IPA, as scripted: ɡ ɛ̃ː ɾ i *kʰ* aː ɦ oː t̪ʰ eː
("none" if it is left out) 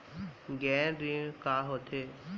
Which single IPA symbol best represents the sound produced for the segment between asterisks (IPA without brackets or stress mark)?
k